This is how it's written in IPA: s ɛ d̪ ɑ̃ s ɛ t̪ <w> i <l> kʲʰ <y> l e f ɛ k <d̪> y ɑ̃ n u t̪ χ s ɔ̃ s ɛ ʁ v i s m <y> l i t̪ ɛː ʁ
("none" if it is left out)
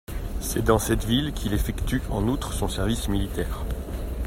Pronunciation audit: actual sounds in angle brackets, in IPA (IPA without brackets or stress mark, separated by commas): v, l, i, t̪, i